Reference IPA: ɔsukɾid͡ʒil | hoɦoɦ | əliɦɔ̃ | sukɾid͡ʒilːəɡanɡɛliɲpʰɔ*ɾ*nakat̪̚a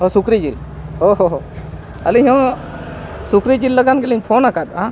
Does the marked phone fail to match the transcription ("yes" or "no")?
yes